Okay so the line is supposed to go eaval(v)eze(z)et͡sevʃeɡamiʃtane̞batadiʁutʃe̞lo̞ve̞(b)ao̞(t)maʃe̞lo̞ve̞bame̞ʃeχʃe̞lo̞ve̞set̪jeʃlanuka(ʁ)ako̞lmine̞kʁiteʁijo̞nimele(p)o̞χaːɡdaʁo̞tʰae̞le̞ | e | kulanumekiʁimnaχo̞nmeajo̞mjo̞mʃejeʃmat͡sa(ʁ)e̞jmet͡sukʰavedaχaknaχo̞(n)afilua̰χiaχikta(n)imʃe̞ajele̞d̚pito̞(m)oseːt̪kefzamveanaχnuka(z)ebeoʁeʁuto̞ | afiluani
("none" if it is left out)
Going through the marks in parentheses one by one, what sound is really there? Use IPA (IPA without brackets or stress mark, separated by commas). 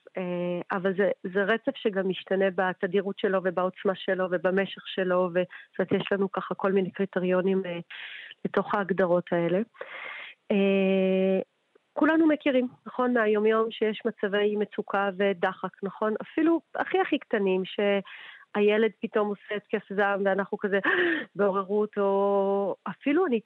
z, ʁ, b, t͡s, χ, t, v, n, n, m, z